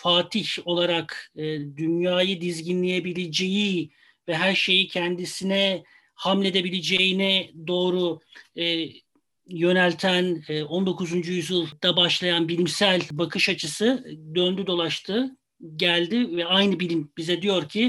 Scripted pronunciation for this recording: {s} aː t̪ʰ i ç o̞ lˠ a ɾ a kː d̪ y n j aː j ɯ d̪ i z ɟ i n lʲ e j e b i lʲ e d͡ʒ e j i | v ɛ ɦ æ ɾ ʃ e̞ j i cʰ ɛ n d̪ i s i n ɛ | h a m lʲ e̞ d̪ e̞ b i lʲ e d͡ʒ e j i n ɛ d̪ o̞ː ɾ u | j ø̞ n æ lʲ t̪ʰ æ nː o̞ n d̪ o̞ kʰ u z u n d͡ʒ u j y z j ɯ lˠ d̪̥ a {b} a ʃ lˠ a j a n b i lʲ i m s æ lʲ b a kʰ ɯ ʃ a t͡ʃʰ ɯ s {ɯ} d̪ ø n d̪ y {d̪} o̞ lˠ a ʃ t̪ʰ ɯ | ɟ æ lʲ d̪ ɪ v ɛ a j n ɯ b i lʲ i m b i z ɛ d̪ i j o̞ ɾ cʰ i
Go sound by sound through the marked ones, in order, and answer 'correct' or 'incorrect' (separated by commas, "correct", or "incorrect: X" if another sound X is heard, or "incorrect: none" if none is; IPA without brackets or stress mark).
incorrect: f, correct, correct, correct